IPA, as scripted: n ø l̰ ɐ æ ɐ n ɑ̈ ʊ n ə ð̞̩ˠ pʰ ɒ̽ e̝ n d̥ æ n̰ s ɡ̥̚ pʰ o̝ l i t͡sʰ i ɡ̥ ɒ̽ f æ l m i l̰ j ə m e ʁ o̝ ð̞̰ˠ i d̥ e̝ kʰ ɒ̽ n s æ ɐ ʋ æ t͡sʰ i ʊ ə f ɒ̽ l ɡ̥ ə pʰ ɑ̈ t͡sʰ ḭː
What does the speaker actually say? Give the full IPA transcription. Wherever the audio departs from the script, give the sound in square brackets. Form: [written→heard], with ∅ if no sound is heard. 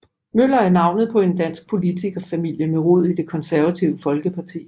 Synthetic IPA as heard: [n→m] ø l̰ ɐ æ ɐ n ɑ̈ ʊ n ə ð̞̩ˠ pʰ ɒ̽ e̝ n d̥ æ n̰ s ɡ̥̚ pʰ o̝ l i t͡sʰ i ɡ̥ ɒ̽ f æ [l→∅] m i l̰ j ə m e ʁ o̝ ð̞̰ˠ i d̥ e̝ kʰ ɒ̽ n s æ ɐ ʋ æ t͡sʰ i ʊ ə f ɒ̽ l ɡ̥ ə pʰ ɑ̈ t͡sʰ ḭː